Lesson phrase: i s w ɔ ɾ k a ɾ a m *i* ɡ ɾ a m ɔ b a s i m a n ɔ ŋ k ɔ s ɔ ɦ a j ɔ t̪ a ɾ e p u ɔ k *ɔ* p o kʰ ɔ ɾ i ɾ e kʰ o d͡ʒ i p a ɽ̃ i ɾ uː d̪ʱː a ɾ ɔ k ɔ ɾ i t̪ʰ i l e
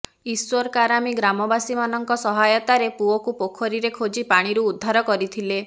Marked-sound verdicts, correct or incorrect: correct, incorrect: u

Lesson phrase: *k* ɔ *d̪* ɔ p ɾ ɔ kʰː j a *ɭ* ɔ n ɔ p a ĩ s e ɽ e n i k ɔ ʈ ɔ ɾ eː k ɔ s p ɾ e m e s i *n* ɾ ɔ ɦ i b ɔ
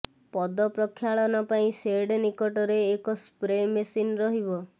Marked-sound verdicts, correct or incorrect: incorrect: p, correct, correct, correct

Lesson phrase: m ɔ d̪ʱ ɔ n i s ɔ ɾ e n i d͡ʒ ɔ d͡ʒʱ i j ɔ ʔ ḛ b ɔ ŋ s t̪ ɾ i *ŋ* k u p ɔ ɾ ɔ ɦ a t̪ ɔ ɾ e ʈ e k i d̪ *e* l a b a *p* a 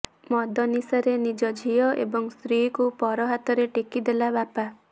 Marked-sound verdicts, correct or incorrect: incorrect: none, correct, correct

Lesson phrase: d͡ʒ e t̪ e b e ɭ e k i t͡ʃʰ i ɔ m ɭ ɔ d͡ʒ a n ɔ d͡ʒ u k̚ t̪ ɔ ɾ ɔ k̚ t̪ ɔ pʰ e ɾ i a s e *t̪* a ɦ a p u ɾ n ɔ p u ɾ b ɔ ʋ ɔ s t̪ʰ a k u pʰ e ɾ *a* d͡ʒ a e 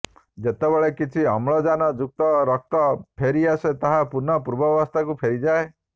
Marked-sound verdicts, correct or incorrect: correct, incorrect: i

